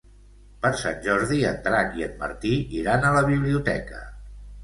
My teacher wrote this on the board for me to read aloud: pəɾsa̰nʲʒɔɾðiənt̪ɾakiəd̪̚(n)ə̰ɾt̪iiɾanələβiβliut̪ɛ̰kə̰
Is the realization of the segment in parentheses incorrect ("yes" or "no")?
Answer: yes